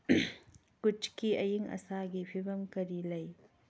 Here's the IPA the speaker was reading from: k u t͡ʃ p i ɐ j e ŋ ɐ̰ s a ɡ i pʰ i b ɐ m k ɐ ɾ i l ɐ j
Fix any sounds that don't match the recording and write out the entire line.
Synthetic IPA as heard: k u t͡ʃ k i ɐ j i ŋ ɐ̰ s a ɡ i pʰ i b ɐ m k ɐ ɾ i l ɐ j